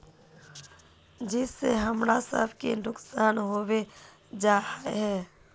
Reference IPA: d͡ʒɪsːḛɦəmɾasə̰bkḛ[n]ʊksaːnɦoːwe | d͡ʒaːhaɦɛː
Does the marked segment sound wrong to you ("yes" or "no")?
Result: no